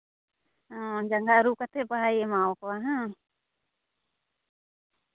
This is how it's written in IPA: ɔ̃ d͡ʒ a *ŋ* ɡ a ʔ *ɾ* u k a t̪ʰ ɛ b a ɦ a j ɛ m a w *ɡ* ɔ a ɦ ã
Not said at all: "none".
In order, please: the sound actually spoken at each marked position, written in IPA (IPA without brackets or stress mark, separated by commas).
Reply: ŋ, ɾ, k